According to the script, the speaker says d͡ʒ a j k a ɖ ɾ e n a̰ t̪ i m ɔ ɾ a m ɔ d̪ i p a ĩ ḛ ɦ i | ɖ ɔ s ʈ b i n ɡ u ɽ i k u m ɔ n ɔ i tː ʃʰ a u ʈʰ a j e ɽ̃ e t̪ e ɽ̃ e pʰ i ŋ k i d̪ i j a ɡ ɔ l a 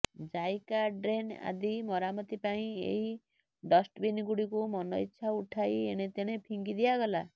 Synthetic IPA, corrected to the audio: d͡ʒ a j k a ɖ ɾ e n a̰ d̪ i m ɔ ɾ a m ɔ t̪ i p a ĩ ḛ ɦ i | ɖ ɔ s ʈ b i n ɡ u ɽ i k u m ɔ n ɔ i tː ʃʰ a u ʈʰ a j e ɽ̃ e t̪ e ɽ̃ e pʰ i ŋ ɡ i d̪ i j a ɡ ɔ l a